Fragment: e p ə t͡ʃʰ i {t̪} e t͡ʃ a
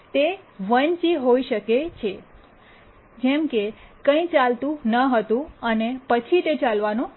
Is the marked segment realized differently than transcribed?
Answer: no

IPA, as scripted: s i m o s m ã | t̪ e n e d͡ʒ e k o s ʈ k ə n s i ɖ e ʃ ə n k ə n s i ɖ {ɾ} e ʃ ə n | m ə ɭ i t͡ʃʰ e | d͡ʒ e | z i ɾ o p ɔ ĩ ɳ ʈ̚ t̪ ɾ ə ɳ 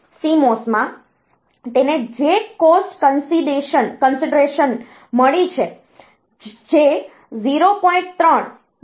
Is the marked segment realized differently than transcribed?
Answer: no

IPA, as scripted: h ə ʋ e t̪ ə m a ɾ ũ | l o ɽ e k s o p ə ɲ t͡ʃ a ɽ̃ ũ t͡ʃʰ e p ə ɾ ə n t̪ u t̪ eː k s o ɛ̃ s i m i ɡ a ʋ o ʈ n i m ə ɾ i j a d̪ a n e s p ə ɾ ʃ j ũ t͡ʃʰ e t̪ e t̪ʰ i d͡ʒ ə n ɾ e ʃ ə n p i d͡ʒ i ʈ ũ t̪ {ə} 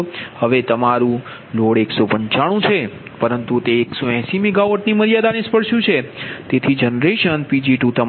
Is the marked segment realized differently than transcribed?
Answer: no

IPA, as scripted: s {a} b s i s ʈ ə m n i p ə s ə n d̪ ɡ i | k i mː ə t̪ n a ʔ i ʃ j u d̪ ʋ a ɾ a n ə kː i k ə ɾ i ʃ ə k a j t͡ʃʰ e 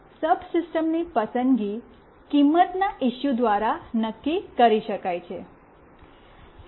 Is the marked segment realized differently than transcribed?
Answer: yes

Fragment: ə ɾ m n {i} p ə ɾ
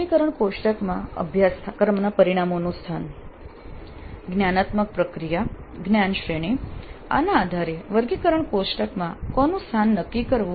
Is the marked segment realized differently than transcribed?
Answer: yes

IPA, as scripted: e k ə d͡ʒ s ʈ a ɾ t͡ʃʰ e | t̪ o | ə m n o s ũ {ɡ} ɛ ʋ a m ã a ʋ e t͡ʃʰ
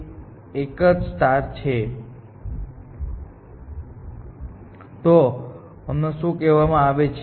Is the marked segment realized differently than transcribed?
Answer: yes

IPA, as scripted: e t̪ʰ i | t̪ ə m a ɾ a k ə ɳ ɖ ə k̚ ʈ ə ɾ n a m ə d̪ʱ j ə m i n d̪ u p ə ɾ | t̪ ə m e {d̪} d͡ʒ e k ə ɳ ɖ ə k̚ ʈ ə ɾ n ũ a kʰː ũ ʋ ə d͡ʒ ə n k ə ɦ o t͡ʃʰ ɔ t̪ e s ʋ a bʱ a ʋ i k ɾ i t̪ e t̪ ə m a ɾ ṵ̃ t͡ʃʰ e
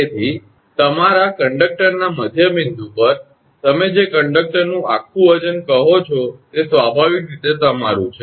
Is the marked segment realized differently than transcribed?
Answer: yes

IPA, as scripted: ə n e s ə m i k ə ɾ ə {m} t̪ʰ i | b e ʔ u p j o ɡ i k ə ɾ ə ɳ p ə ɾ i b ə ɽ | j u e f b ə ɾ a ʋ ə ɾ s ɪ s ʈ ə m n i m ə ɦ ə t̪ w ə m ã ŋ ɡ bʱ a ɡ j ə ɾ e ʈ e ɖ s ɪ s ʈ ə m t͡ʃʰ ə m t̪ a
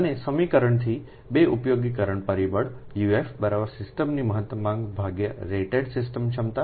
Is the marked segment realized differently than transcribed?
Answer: yes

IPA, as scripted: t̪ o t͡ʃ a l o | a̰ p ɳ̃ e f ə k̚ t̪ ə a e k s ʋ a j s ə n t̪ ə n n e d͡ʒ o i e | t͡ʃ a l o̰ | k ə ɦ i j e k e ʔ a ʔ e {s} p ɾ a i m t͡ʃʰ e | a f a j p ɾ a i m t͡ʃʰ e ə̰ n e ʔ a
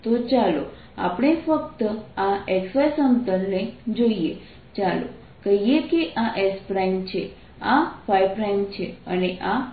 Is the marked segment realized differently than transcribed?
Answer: no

